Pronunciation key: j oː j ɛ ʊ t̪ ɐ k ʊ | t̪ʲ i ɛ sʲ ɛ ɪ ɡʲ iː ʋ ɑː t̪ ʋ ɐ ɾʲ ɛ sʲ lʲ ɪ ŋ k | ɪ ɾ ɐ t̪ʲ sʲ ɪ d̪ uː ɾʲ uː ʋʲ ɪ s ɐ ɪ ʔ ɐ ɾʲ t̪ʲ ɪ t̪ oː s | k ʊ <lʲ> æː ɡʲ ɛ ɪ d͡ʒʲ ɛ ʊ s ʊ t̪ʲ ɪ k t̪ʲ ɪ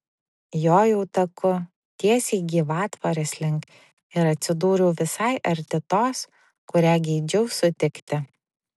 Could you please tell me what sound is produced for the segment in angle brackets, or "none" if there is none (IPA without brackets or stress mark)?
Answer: ɾʲ